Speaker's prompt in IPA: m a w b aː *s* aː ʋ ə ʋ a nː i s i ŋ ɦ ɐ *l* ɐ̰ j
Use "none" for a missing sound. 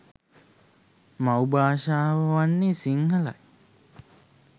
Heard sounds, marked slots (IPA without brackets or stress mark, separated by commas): ʃ, l